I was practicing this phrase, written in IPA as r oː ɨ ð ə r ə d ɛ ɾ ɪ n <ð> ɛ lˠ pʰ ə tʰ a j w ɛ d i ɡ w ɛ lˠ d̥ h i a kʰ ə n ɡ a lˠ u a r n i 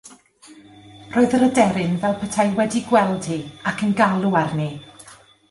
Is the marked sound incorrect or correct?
incorrect